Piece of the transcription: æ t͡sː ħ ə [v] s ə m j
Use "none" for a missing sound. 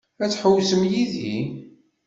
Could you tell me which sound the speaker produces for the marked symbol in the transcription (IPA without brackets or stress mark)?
w